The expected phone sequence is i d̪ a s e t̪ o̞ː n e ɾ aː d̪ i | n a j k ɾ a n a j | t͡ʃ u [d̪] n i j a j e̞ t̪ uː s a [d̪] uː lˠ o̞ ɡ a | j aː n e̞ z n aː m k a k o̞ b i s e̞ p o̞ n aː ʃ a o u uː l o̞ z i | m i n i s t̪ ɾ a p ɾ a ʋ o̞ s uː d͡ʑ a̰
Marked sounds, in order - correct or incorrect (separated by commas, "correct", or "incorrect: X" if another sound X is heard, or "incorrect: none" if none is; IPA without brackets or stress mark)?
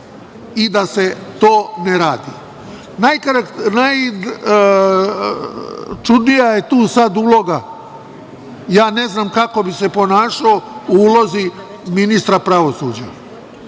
correct, correct